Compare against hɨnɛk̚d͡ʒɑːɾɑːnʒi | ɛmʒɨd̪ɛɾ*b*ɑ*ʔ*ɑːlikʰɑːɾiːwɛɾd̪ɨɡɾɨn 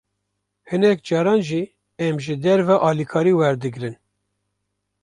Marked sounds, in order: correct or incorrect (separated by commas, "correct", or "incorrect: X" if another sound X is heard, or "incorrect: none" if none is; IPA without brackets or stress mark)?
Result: incorrect: v, correct